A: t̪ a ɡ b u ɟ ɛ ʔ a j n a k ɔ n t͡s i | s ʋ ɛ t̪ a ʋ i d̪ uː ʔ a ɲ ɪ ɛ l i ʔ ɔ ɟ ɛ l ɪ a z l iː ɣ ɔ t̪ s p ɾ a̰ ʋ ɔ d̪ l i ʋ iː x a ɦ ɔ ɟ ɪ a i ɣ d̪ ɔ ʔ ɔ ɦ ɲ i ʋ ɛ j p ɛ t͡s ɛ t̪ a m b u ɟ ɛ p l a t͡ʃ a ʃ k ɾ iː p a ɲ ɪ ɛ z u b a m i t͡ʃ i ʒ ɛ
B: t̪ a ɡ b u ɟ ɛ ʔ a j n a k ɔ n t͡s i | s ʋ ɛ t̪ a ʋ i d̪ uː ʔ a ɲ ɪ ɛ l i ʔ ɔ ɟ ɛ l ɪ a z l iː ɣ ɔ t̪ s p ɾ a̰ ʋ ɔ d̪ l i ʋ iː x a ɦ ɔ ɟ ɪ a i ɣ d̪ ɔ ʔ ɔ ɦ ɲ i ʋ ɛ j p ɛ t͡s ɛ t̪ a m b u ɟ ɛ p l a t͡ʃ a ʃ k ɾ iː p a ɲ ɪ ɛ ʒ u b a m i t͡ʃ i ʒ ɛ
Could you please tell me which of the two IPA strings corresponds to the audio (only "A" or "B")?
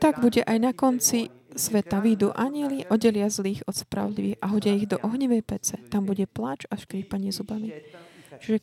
A